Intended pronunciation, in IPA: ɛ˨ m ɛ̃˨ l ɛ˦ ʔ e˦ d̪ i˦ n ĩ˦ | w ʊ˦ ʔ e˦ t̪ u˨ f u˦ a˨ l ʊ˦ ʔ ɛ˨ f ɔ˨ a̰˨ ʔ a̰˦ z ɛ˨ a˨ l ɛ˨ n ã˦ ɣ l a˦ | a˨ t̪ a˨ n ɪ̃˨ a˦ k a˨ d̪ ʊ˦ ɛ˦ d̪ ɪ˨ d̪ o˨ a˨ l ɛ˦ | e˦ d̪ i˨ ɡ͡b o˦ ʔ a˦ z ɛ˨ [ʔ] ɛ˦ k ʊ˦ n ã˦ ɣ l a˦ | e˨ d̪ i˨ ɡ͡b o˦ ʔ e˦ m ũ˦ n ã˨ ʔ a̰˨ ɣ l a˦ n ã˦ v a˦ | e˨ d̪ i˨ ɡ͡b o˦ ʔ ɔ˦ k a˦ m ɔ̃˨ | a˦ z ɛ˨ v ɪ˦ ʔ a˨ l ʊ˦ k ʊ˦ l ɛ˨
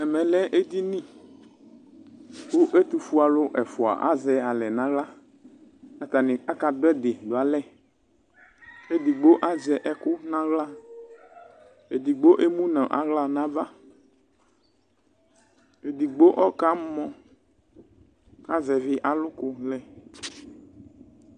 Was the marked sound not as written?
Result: no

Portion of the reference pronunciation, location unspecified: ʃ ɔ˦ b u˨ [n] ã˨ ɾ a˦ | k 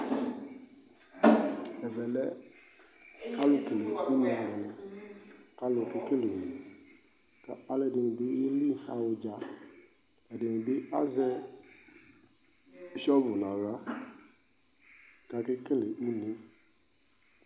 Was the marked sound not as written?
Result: no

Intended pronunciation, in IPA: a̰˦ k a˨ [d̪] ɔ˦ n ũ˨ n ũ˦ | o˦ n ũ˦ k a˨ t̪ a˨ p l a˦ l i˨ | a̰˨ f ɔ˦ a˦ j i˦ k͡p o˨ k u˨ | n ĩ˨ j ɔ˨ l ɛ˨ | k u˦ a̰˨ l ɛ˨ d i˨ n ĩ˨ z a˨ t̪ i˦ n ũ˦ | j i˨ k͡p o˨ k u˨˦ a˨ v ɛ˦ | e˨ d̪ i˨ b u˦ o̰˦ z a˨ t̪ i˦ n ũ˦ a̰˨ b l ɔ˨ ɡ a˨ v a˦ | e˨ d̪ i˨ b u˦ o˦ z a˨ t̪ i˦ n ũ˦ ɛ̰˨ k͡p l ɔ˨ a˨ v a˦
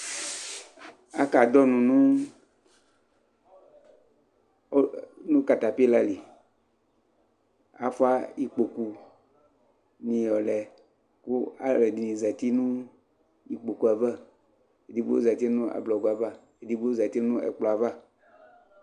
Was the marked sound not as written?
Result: no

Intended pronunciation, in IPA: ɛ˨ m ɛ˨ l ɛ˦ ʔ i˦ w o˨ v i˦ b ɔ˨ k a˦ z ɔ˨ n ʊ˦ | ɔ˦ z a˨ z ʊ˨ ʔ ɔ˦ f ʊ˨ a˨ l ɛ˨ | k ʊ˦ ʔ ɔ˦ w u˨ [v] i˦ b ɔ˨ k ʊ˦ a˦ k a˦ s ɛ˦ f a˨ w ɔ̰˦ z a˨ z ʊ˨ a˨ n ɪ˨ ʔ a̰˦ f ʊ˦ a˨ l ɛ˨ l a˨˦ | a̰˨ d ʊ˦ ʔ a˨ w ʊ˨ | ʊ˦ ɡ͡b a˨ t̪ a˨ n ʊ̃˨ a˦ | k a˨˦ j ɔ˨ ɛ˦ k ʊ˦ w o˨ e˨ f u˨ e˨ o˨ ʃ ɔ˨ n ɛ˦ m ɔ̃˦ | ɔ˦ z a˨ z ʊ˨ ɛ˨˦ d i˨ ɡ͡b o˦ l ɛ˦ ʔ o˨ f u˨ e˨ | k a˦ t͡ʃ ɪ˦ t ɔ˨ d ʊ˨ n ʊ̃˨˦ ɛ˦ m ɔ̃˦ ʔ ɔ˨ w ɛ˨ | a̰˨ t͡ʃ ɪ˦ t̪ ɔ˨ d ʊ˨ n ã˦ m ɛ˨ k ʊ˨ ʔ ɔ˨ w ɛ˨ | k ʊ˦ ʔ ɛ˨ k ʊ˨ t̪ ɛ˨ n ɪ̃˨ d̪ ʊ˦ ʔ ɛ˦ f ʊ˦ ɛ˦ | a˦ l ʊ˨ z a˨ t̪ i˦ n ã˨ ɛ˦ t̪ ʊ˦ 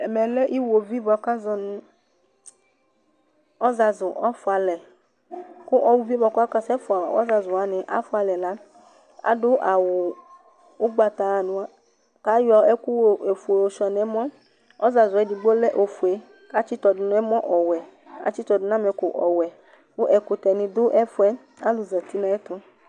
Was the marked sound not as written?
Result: no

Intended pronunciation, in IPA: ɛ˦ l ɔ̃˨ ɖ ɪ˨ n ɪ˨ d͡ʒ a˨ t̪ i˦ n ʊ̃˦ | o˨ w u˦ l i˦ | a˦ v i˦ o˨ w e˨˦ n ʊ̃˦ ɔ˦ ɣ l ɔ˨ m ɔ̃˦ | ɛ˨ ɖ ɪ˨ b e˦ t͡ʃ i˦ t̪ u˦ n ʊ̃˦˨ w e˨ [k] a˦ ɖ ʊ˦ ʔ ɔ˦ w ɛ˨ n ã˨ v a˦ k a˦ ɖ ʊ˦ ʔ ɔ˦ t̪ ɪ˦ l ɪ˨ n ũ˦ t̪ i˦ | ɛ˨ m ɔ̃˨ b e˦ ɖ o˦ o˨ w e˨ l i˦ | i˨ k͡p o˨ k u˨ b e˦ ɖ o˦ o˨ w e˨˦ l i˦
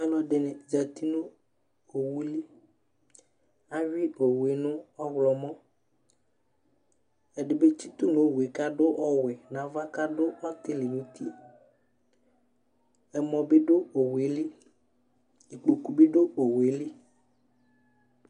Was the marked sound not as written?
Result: no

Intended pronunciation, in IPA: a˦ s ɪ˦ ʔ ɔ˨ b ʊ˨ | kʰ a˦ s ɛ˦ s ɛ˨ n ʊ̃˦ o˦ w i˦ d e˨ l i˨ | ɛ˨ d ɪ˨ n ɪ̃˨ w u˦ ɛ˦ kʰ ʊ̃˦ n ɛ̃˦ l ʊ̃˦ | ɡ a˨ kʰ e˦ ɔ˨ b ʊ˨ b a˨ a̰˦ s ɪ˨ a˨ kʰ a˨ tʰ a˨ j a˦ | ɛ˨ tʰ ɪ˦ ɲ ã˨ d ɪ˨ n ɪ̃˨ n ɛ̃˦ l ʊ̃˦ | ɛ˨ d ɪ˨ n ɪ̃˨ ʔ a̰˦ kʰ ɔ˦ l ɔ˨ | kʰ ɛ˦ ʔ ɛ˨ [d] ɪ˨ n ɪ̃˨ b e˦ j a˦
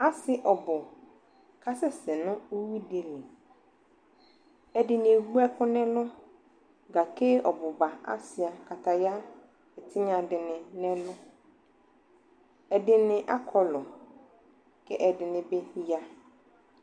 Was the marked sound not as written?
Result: no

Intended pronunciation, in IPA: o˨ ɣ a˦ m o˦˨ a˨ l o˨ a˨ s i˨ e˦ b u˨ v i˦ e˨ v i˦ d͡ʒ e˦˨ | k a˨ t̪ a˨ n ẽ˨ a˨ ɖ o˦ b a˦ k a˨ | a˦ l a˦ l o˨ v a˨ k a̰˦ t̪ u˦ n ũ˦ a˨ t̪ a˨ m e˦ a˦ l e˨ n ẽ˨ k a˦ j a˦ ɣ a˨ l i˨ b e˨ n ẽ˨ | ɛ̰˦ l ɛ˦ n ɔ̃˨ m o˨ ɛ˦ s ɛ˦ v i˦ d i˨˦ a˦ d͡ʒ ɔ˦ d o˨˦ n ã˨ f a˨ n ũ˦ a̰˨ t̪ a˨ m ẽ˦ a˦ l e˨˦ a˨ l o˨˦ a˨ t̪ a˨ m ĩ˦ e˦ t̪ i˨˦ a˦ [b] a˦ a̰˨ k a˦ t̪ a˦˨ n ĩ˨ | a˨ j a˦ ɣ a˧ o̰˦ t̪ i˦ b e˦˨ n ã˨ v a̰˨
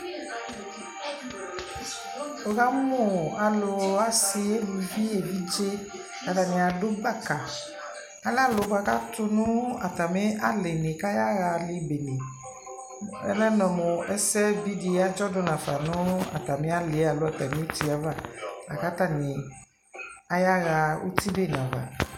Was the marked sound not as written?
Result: yes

